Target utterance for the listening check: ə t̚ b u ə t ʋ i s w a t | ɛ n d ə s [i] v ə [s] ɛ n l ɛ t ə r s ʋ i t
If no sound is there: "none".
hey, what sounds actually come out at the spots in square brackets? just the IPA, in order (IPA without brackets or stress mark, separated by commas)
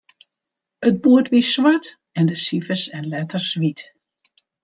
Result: i, s